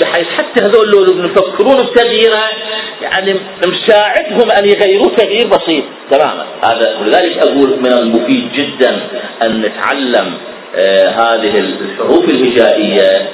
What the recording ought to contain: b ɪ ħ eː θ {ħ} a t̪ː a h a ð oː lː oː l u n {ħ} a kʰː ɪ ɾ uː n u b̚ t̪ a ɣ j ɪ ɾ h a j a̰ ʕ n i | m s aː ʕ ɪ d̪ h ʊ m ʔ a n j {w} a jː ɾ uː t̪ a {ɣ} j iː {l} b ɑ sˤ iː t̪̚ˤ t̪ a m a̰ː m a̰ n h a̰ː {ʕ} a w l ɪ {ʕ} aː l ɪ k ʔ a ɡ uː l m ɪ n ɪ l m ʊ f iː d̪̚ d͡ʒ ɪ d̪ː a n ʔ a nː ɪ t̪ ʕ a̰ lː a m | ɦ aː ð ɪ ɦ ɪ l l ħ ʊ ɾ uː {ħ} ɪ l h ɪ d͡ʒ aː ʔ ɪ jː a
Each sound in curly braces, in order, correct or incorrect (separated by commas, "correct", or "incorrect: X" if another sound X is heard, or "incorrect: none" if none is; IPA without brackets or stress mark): correct, incorrect: f, incorrect: ɣ, correct, incorrect: ɾ, incorrect: ð, incorrect: ð, incorrect: f